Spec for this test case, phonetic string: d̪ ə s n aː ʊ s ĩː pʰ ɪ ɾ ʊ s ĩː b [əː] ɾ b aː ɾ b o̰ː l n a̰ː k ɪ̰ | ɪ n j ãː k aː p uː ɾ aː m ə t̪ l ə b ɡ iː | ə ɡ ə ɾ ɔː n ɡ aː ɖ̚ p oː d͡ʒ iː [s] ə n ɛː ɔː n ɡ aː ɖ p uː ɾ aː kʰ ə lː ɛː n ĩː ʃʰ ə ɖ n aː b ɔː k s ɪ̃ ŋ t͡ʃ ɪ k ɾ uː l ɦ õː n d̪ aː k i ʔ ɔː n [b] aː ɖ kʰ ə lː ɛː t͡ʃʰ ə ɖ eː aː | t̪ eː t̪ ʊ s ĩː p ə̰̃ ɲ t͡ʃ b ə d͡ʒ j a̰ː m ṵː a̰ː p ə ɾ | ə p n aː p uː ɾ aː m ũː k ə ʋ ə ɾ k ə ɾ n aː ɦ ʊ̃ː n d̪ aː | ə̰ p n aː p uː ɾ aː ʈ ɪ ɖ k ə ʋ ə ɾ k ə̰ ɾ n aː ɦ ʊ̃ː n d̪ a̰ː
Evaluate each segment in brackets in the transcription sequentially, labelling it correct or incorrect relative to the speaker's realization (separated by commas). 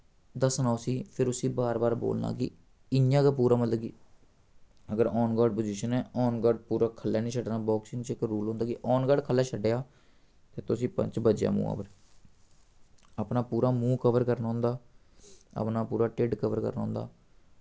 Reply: incorrect, incorrect, incorrect